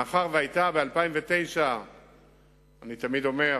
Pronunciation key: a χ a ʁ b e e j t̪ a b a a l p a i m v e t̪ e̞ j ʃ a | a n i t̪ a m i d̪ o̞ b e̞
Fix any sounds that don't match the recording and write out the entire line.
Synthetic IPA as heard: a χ a ʁ v e a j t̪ a b e a l p a i m v e t̪ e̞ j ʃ a | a n i t̪ a m i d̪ o̞ m e̞